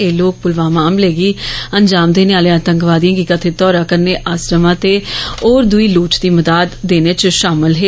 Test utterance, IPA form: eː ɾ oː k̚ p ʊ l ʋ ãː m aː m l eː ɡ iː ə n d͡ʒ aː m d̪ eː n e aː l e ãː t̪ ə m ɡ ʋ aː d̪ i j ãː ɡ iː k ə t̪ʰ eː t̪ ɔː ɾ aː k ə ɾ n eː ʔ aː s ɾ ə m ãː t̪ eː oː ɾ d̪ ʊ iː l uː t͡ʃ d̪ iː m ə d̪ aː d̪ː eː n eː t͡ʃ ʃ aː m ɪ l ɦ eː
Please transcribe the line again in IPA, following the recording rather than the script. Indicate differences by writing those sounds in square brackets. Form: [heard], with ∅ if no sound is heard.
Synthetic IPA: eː [l] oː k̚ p ʊ l ʋ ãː m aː m l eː ɡ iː ə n d͡ʒ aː m d̪ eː n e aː l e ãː t̪ ə [ŋ] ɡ ʋ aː d̪ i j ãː ɡ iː k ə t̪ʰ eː t̪ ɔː ɾ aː k ə ɾ n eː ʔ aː s ɾ ə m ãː t̪ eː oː ɾ d̪ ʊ iː l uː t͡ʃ d̪ iː m ə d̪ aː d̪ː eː n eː t͡ʃ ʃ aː m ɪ l ɦ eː